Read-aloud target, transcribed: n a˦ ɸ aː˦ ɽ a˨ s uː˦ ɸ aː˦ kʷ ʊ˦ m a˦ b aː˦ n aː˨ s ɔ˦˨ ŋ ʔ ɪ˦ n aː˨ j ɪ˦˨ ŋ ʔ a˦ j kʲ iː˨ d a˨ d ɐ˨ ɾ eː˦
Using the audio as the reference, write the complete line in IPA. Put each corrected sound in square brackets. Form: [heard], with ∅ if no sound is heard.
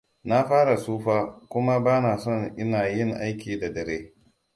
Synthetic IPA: n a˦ ɸ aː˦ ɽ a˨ s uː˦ ɸ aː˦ kʷ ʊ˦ m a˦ b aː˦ n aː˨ s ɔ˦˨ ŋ ʔ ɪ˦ n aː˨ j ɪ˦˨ ŋ ʔ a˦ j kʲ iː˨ d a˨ d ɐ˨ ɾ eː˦